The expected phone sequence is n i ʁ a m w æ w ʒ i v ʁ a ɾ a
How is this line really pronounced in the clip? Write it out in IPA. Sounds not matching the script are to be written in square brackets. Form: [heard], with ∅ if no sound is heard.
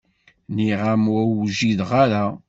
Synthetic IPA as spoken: n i ʁ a m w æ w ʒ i [ð] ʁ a ɾ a